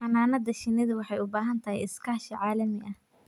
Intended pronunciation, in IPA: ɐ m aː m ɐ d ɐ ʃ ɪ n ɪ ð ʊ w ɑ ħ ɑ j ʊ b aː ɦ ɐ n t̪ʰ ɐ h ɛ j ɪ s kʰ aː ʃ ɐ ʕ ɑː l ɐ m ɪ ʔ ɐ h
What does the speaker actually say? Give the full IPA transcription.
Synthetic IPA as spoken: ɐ n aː n ɐ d ɐ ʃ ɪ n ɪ ð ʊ w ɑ ħ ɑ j ʊ b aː ɦ ɐ n t̪ʰ ɐ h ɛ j ɪ s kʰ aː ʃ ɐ ʕ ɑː l ɐ m ɪ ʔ ɐ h